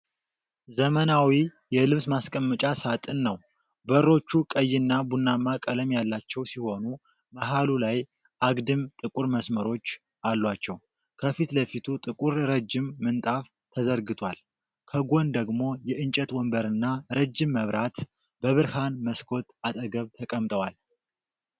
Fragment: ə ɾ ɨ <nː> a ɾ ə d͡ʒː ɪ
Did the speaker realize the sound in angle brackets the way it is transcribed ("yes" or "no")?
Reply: yes